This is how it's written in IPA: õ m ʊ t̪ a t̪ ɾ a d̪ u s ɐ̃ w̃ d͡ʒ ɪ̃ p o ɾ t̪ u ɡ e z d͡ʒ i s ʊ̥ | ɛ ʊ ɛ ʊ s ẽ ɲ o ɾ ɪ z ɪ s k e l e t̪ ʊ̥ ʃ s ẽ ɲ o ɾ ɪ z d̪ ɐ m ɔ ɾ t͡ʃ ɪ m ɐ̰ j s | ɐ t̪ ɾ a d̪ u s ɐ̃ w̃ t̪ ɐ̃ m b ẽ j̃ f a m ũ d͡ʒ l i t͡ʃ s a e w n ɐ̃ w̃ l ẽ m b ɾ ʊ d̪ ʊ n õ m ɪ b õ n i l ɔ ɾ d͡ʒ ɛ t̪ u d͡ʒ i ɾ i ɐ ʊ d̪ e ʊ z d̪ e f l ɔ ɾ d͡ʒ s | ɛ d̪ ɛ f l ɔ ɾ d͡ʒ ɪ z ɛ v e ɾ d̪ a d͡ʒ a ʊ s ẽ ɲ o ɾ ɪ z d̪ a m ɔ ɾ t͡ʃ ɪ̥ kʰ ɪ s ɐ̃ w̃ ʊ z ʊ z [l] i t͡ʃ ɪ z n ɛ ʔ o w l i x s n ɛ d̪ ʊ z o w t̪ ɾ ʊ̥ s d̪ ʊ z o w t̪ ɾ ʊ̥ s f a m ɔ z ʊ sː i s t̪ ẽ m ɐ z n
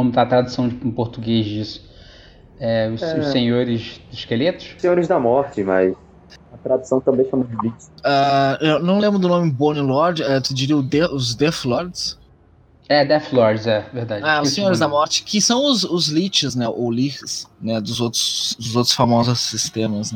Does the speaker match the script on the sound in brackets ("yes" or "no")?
yes